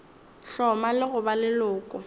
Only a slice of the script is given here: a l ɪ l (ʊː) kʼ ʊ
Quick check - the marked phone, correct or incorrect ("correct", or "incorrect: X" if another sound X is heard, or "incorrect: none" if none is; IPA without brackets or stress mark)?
correct